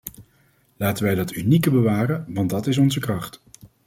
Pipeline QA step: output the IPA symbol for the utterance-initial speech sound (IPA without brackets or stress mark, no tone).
l